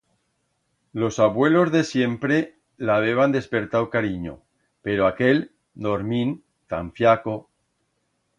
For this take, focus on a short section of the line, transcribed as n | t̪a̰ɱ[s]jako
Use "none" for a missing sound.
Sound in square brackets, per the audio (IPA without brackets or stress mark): f